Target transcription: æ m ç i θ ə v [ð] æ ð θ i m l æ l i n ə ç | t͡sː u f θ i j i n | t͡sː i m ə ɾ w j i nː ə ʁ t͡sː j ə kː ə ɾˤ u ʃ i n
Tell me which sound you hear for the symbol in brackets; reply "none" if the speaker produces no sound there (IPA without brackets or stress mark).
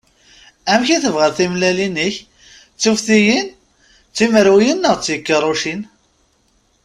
ʁ